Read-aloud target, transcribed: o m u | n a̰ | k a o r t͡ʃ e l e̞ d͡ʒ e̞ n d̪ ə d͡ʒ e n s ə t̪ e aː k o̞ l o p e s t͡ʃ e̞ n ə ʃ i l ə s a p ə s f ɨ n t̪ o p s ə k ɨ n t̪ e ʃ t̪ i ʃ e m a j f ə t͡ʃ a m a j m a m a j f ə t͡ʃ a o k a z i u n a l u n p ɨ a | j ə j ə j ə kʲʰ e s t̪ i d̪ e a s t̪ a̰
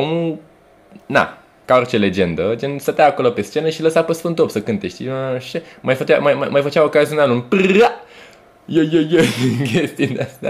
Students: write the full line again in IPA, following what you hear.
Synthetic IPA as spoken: o m u | n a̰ | k a o r t͡ʃ e l e̞ d͡ʒ e̞ n d̪ ə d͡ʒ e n s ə t̪ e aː k o̞ l o p e s t͡ʃ e̞ n ə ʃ i l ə s a p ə s f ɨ n t̪ o p s ə k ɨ n t̪ e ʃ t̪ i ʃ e m a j f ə t͡ʃ a m a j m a m a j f ə t͡ʃ a o k a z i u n a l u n p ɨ a | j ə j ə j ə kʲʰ e s t̪ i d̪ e a s t̪ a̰